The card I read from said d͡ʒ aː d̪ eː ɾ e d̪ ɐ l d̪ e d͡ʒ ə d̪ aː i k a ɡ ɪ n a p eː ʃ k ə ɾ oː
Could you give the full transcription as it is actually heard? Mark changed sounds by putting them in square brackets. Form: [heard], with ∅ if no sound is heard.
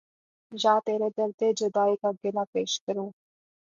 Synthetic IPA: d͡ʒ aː [t̪] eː ɾ e d̪ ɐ [ɾ] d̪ e d͡ʒ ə d̪ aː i k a ɡ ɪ n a p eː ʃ k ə ɾ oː